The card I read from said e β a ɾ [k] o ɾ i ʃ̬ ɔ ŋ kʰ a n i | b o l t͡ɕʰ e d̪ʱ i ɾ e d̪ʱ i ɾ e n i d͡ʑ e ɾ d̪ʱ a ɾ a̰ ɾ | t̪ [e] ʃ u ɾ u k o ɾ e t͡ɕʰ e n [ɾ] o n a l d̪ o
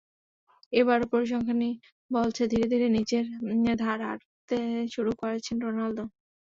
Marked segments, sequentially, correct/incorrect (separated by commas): incorrect, correct, correct